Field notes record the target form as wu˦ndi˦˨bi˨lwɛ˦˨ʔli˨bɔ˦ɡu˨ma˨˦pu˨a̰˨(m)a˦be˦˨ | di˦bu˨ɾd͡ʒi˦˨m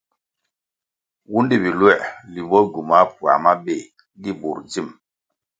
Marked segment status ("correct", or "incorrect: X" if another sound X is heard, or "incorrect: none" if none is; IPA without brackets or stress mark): correct